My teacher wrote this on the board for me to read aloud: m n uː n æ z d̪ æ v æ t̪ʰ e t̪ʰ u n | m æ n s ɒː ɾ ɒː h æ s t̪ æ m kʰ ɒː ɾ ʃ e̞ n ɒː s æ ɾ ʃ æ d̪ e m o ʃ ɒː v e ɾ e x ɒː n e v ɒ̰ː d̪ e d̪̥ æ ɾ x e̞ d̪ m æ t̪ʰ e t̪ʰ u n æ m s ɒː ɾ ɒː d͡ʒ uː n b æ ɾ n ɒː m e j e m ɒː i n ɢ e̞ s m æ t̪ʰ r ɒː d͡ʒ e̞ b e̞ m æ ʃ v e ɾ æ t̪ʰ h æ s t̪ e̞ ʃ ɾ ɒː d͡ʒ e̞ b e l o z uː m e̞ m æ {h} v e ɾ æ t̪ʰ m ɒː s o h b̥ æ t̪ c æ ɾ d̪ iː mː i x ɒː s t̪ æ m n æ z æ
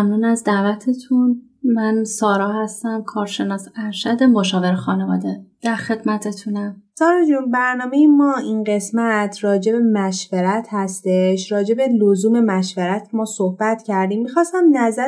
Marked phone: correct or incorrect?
incorrect